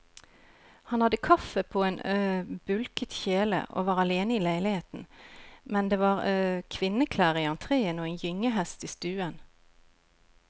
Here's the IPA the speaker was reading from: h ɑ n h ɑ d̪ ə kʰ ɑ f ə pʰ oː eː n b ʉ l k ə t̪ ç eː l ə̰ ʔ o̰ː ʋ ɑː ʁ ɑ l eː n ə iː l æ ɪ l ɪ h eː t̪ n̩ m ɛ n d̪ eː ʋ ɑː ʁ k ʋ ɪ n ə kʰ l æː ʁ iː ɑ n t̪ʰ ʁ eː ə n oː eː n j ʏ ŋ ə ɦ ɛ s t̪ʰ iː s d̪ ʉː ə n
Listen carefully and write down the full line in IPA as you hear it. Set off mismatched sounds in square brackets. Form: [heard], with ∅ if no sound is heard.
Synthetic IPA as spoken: h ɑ n h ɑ d̪ ə kʰ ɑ f ə pʰ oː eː n b ʉ l k ə t̪ ç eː l ə̰ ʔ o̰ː ʋ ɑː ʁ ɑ l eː n ə iː l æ ɪ l ɪ h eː t̪ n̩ m ɛ n d̪ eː ʋ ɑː ʁ [kʰ] ʋ ɪ n ə kʰ l æː ʁ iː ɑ n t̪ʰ ʁ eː ə n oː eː n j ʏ ŋ ə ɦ ɛ s [t̪] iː s [t̪] ʉː ə n